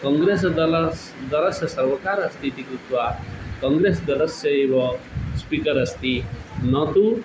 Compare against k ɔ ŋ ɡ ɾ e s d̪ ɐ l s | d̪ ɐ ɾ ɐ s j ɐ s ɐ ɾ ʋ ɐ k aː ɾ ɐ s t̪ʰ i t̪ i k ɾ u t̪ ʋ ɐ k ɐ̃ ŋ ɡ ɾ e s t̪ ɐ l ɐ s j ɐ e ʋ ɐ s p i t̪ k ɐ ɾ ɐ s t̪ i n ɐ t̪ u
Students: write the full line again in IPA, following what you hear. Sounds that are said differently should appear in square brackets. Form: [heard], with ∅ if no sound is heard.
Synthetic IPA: k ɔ ŋ ɡ ɾ e s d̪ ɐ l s | d̪ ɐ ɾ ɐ s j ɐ s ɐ ɾ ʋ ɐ k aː ɾ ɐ s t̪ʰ i t̪ i k ɾ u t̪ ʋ [a] k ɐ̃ ŋ ɡ ɾ e s [d̪] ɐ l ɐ s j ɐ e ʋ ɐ s p i [∅] k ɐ ɾ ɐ s t̪ i n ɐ t̪ u